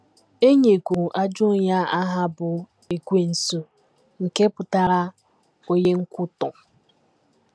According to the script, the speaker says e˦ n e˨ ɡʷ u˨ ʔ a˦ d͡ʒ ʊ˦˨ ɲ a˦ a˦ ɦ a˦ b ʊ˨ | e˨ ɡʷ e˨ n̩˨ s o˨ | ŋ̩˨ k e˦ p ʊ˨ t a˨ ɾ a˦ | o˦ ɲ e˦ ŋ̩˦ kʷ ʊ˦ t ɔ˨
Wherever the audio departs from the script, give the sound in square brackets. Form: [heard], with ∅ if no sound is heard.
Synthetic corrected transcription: e˦ [ɲ] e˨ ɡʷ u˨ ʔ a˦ d͡ʒ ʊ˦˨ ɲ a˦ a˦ ɦ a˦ b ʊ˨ | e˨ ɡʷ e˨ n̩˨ s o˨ | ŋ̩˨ k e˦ p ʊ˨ t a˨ ɾ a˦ | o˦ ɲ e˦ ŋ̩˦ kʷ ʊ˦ t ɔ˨